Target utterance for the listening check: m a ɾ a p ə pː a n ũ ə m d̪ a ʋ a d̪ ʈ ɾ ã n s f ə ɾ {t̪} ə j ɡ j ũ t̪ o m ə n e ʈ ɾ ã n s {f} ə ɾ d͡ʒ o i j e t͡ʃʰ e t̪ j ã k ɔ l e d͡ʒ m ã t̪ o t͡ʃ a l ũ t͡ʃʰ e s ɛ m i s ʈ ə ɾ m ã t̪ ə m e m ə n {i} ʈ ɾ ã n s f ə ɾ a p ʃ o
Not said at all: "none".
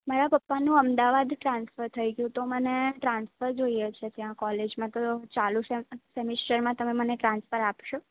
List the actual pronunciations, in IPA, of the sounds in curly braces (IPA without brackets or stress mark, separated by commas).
t̪ʰ, f, e